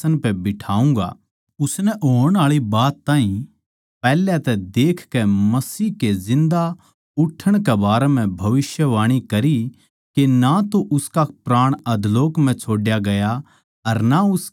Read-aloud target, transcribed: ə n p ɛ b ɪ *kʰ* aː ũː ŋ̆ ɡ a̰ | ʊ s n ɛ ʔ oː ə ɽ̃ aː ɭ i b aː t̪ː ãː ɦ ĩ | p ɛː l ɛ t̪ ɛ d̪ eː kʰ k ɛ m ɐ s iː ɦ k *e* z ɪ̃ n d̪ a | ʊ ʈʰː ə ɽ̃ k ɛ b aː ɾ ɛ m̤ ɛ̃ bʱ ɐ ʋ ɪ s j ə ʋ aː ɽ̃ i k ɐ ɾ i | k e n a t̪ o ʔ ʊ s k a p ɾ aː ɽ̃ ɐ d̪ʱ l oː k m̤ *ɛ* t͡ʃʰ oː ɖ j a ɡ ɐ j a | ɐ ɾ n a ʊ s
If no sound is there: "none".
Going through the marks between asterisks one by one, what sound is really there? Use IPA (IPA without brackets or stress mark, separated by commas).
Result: ʈʰ, e, ɛ̃